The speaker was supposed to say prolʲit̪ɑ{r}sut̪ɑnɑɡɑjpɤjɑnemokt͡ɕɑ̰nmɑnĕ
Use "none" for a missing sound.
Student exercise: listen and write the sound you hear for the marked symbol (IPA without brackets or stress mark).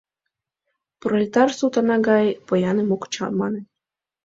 r